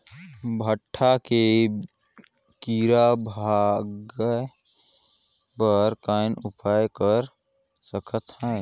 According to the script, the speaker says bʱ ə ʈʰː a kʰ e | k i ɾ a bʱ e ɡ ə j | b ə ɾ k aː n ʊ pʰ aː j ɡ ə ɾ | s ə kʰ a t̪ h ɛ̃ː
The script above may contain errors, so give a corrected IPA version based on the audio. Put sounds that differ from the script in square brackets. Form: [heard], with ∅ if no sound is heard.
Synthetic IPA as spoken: bʱ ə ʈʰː a [k] e | k i ɾ a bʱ [a] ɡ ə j | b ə ɾ k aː n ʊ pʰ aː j [k] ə ɾ | s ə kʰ [ə] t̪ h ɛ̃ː